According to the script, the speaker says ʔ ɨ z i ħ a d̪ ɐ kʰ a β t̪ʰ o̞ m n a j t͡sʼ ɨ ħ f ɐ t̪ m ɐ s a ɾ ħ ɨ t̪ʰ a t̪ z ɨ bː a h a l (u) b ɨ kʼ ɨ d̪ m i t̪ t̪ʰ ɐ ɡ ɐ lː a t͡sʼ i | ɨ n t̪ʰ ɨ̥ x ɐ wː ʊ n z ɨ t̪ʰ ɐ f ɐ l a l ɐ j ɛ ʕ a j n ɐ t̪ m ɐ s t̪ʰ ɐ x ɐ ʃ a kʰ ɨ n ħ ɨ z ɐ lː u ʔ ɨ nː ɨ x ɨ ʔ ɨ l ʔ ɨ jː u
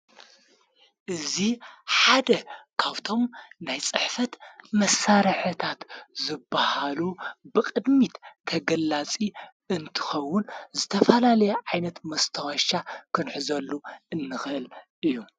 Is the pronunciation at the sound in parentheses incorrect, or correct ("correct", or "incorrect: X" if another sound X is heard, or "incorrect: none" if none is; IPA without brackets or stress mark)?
correct